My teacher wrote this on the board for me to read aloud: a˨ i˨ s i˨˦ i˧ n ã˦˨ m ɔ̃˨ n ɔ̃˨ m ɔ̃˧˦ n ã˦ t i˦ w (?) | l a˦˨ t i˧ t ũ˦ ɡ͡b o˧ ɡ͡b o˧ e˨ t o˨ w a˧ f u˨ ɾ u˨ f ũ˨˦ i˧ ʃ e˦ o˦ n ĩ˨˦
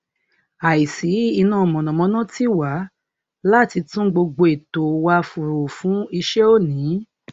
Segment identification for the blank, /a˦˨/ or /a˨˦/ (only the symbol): a˨˦